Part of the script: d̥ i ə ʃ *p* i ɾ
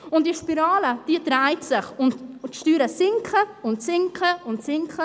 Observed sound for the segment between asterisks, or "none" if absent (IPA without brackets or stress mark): p